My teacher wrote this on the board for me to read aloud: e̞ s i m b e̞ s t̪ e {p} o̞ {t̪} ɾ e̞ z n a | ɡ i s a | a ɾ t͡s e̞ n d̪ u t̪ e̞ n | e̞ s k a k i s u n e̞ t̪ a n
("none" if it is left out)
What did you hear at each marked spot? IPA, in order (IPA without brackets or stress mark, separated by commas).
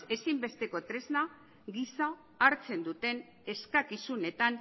k, t̪